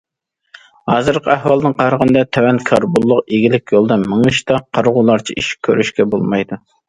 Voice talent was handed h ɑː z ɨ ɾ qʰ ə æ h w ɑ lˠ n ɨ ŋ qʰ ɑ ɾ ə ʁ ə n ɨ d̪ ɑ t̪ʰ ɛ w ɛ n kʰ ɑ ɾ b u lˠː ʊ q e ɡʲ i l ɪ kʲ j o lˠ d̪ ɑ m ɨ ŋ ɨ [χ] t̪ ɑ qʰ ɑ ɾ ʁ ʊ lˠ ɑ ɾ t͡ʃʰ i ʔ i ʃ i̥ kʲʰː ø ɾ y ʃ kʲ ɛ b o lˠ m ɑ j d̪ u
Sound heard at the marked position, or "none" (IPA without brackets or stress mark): ʃ